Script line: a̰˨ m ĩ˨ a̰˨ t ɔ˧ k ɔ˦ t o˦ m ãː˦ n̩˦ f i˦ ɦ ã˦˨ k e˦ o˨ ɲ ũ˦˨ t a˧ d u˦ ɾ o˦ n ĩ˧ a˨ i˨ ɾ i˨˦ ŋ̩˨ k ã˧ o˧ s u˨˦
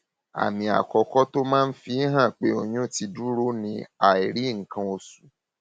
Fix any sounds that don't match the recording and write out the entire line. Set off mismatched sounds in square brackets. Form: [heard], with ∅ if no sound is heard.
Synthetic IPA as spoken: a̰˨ m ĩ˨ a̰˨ [k] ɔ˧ k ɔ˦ t o˦ m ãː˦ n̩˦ f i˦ ɦ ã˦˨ [k͡p] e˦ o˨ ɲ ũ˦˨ t [i˧] d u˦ ɾ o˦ n ĩ˧ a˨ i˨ ɾ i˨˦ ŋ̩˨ k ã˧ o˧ s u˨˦